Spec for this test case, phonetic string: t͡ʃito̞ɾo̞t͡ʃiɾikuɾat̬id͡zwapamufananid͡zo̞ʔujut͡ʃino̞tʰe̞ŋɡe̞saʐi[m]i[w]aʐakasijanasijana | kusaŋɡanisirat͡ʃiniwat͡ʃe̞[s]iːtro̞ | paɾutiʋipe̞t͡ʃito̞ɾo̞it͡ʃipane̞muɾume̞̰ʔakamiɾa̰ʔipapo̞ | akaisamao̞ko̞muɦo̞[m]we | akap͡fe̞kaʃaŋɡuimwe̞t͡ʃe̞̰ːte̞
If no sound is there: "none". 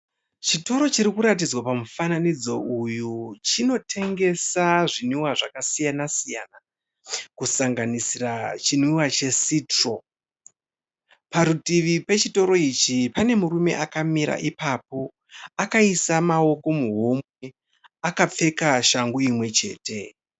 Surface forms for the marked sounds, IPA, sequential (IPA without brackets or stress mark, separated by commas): n, w, s, m